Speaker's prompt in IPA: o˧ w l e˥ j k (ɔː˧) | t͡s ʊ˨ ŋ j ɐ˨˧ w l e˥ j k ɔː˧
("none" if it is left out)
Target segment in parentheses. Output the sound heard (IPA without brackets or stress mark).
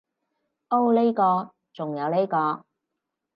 ɔː˧